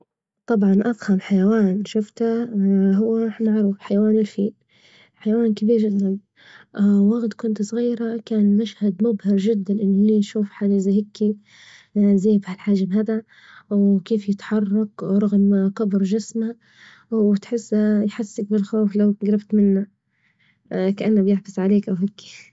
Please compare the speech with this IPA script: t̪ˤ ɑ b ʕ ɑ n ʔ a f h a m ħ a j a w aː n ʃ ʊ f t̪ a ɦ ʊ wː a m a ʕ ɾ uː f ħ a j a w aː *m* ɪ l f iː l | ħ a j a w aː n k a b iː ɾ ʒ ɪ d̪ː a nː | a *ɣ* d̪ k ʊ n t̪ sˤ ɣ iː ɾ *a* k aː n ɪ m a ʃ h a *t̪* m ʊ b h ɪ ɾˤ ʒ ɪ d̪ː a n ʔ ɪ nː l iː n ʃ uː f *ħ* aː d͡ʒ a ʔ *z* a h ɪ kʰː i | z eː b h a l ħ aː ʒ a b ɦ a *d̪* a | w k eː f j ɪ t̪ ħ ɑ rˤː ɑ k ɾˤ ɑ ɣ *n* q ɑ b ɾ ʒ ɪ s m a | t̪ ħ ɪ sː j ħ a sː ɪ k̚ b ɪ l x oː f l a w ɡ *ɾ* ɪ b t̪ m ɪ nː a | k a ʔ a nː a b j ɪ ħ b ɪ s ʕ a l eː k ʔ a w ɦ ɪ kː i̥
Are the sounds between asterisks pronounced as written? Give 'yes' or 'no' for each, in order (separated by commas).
no, yes, yes, no, yes, yes, yes, no, yes